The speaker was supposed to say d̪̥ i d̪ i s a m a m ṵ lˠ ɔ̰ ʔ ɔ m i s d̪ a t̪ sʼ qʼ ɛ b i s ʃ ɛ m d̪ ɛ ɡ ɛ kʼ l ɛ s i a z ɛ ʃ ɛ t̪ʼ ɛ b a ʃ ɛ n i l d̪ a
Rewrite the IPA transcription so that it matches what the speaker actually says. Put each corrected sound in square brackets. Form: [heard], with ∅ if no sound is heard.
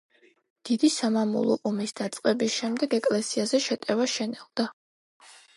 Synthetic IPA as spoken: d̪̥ i d̪ i s a m a m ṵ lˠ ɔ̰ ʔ ɔ m i s d̪ a t̪ sʼ qʼ ɛ b i s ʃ ɛ m d̪ ɛ ɡ ɛ kʼ l ɛ s i a z ɛ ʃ ɛ t̪ʼ ɛ [v] a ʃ ɛ n [ɛ] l d̪ a